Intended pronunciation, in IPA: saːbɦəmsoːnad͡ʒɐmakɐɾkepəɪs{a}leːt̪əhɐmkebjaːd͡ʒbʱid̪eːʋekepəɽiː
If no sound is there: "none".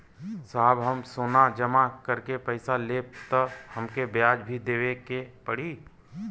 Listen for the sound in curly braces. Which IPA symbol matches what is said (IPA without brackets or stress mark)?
a